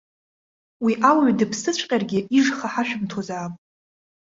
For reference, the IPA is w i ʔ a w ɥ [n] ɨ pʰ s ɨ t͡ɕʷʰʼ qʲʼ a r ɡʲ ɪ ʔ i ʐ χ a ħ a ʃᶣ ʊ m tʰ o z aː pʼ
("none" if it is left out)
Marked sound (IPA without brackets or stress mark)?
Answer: d